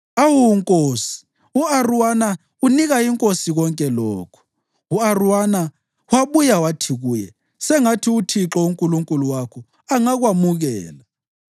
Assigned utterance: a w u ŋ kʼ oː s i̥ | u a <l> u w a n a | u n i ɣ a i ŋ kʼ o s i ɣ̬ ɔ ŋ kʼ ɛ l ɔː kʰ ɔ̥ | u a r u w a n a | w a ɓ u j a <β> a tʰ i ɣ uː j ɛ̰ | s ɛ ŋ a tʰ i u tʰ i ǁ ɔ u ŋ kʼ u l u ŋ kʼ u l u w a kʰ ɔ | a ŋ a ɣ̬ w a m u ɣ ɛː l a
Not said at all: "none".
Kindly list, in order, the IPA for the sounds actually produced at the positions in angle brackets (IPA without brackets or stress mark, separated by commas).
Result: r, w